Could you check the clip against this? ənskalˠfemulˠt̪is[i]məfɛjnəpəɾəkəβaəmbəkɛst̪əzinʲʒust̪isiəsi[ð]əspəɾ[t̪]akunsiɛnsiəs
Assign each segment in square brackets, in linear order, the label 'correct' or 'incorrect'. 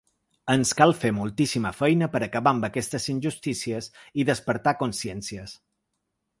correct, correct, correct

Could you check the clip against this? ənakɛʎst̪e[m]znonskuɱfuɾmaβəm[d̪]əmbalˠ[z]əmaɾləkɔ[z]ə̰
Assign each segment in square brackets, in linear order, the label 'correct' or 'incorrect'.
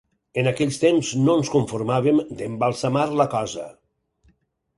correct, correct, incorrect: s, correct

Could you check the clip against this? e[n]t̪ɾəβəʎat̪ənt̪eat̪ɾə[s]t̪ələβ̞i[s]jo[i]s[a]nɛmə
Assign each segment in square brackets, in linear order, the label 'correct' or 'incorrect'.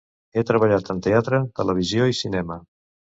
incorrect: none, incorrect: none, incorrect: z, correct, incorrect: i

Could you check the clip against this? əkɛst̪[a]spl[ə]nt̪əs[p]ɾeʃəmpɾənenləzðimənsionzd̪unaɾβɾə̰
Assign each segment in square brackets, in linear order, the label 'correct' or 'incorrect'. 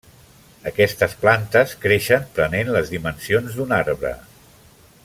incorrect: ə, incorrect: a, incorrect: k

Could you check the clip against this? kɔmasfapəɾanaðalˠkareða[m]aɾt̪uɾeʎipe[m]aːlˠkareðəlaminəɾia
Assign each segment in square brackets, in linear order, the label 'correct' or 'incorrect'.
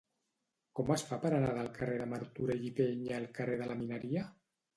correct, incorrect: ɲ

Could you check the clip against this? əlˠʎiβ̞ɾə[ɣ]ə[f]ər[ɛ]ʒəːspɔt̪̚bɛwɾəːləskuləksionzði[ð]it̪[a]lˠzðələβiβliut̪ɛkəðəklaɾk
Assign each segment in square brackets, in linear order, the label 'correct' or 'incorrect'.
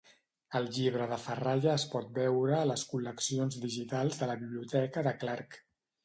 incorrect: ð, correct, incorrect: a, incorrect: ʒ, correct

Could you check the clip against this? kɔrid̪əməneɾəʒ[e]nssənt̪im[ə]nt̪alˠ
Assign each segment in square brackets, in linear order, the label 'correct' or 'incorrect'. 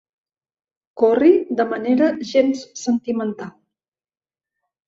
correct, correct

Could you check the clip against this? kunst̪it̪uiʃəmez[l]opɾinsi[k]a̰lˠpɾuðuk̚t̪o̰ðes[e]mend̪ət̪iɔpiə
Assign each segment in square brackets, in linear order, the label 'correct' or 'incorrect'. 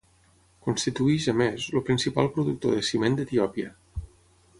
correct, incorrect: p, incorrect: i

